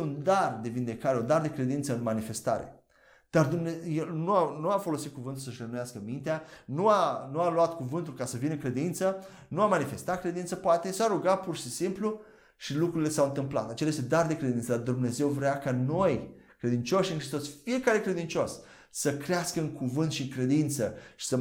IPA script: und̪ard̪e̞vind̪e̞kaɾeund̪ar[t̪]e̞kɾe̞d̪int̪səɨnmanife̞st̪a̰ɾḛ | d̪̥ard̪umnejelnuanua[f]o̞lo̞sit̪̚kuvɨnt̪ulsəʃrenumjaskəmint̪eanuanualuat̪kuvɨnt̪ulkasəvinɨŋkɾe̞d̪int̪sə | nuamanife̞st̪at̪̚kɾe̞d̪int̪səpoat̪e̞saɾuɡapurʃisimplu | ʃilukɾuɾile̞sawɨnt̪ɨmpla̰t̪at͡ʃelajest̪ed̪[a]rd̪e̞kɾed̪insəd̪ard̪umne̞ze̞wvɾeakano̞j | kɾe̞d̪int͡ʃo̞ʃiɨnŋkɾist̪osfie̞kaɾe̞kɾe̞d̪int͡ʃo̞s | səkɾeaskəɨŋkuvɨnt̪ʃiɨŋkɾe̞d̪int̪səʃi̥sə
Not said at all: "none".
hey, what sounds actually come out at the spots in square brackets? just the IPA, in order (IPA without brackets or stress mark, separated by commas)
d̪, f, a